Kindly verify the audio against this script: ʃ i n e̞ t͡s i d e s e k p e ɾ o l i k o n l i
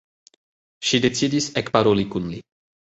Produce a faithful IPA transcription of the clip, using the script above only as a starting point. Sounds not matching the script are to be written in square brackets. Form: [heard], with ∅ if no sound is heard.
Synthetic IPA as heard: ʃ i [d] e̞ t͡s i d [i] s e k p [a] ɾ o l i k [u] n l i